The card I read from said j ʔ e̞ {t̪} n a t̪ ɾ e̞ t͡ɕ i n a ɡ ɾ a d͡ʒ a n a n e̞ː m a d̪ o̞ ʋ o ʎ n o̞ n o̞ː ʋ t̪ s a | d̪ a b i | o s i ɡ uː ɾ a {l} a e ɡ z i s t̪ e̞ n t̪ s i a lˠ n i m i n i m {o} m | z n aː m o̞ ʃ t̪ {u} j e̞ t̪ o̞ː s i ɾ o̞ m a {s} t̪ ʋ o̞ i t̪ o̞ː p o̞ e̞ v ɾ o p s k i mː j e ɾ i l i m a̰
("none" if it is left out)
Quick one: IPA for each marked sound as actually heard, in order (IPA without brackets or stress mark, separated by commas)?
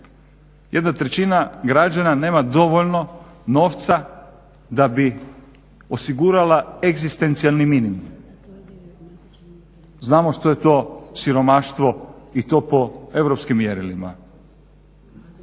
d̪, l, u, o, ʃ